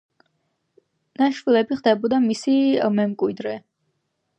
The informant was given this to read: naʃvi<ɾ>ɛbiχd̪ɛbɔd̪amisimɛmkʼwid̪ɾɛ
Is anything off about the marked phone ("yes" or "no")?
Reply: yes